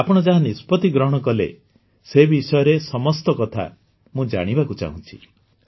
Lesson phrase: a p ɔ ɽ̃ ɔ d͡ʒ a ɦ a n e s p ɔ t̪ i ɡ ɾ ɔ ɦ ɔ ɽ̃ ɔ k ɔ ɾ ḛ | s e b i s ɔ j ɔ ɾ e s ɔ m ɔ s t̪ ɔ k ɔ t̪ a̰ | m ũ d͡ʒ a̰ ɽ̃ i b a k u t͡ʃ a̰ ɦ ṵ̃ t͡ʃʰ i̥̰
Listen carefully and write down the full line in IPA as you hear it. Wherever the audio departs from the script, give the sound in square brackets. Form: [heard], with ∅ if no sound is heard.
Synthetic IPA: a p ɔ ɽ̃ ɔ d͡ʒ a ɦ a n [i] s p ɔ t̪ i ɡ ɾ ɔ ɦ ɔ ɽ̃ ɔ k ɔ [l] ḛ | s e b i s ɔ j ɔ ɾ e s ɔ m ɔ s t̪ ɔ k ɔ [t̪ʰ] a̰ | m ũ d͡ʒ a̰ ɽ̃ i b a k u t͡ʃ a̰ ɦ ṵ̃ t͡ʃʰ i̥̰